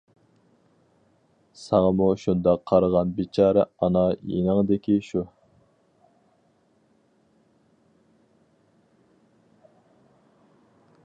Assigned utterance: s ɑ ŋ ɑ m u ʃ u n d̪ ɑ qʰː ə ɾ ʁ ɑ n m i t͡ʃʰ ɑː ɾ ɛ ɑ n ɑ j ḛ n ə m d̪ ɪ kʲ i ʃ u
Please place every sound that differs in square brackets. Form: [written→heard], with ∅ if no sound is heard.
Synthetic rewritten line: s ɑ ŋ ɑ m u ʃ u n d̪ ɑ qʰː [ə→ɑ] ɾ ʁ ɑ n [m→b] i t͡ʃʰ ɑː ɾ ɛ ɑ n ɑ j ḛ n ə [m→ŋ] d̪ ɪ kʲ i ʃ u